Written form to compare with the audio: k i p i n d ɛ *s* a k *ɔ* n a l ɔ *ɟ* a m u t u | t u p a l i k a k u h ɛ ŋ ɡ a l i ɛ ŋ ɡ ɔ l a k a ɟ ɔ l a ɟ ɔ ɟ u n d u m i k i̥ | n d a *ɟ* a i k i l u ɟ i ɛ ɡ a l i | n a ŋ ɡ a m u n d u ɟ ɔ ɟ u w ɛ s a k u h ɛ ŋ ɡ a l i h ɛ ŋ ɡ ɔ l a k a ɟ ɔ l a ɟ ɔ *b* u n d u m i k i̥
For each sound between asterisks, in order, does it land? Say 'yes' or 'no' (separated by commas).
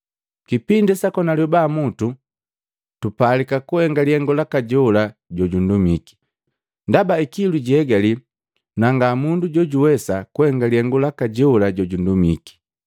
yes, yes, no, no, no